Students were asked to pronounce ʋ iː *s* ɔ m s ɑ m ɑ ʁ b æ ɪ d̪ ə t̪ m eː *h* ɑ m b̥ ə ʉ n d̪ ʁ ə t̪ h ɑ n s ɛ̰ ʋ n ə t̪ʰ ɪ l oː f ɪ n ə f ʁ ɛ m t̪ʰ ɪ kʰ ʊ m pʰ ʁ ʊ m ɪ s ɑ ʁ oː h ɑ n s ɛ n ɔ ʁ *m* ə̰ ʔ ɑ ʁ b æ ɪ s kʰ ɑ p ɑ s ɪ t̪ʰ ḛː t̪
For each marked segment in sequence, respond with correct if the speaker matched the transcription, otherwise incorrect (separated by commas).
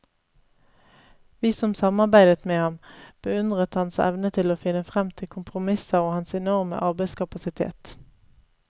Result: correct, correct, correct